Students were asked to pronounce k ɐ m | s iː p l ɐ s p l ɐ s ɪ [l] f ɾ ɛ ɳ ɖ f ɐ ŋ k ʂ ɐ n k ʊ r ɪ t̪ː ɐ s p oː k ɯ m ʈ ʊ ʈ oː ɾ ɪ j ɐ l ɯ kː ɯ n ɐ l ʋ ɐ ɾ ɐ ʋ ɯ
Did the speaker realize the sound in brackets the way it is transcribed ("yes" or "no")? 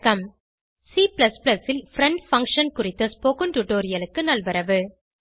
yes